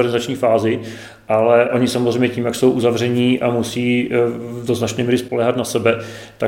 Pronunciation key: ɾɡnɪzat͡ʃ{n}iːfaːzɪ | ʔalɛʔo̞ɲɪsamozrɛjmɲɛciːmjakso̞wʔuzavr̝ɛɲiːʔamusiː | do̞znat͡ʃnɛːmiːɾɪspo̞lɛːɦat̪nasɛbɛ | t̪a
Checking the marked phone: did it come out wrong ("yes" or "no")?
yes